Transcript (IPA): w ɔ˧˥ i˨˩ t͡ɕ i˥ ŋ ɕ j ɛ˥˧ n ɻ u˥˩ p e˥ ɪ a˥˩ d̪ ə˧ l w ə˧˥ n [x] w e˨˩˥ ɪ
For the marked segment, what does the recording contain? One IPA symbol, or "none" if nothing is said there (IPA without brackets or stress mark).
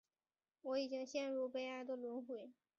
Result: x